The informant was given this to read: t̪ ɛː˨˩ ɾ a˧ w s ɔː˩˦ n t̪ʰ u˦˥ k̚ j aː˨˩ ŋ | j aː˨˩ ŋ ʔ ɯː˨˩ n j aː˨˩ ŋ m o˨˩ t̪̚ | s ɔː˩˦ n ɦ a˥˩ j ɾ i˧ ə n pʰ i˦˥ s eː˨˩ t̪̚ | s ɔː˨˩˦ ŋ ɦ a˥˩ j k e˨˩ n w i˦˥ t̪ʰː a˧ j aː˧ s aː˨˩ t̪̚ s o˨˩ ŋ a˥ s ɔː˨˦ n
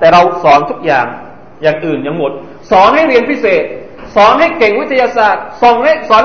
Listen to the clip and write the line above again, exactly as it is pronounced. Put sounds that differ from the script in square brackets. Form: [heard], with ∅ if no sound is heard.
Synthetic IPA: t̪ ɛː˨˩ ɾ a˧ w s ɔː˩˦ n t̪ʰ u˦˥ k̚ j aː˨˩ ŋ | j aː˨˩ ŋ ʔ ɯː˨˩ n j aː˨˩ ŋ m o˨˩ t̪̚ | s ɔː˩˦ n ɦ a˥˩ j ɾ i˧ ə n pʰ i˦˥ s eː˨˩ t̪̚ | s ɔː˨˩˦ [n] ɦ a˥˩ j k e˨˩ [ŋ] w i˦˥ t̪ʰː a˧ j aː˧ s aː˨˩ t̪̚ s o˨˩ ŋ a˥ s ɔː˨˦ n